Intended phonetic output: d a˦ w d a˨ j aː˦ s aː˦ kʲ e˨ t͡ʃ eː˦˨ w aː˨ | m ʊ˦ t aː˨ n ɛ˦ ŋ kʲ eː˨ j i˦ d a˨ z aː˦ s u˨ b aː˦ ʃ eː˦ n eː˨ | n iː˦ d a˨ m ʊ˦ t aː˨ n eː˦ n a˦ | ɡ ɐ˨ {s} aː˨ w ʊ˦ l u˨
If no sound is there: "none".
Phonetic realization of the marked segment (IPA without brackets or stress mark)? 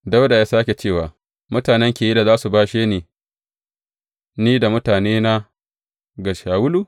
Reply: ʃ